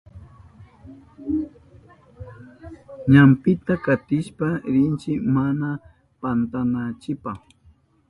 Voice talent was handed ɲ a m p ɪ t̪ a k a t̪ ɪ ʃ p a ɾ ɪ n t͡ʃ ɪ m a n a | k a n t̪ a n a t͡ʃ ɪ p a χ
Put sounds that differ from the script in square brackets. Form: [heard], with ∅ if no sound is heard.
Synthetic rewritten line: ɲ a m p ɪ t̪ a k a t̪ ɪ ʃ p a ɾ ɪ n t͡ʃ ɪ m a n a | [p] a n t̪ a n a t͡ʃ ɪ p a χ